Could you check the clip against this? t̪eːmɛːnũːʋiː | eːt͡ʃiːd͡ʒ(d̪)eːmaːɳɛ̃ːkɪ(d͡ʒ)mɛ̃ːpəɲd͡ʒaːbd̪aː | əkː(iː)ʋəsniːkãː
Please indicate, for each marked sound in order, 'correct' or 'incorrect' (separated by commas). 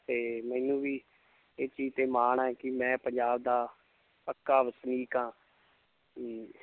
incorrect, incorrect, incorrect